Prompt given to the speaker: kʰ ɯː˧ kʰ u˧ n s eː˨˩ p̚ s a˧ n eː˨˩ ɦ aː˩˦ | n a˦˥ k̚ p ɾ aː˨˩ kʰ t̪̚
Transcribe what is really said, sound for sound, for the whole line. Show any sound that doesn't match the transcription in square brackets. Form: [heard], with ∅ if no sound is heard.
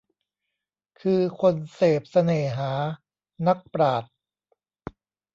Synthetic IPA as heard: kʰ ɯː˧ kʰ [o˧] n s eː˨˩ p̚ s a˧ n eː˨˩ ɦ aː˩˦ | n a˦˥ k̚ p ɾ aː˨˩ [∅] t̪̚